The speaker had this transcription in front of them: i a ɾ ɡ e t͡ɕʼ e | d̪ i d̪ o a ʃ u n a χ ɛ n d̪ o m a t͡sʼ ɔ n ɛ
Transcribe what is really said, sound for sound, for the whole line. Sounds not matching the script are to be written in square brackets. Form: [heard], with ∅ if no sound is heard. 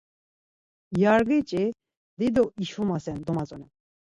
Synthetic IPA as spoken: [j] a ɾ ɡ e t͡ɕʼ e | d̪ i d̪ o [i] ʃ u [m] a [s] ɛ n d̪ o m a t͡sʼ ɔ n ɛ